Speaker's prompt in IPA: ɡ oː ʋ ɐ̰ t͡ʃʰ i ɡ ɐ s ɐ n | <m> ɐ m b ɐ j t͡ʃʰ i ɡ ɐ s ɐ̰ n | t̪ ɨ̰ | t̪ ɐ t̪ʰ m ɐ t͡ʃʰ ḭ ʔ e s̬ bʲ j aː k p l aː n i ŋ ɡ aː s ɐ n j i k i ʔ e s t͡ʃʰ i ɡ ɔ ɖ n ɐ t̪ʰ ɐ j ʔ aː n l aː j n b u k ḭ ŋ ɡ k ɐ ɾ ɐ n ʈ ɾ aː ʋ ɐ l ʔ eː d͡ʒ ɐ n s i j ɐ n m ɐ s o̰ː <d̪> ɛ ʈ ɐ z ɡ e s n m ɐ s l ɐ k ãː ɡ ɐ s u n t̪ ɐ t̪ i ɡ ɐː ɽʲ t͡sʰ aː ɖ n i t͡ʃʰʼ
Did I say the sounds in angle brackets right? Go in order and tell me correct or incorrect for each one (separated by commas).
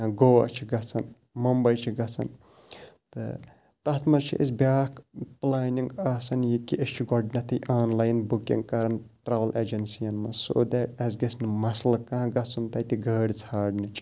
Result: correct, correct